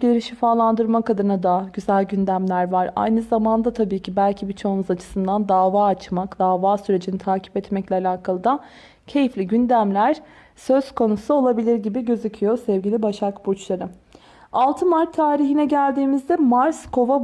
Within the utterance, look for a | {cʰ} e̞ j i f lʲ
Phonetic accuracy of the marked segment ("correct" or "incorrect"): correct